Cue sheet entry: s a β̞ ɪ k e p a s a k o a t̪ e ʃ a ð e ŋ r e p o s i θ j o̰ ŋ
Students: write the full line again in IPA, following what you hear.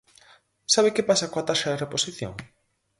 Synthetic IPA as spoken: s a β̞ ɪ k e p a s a k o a t̪ a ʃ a ð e r e p o s i θ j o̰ ŋ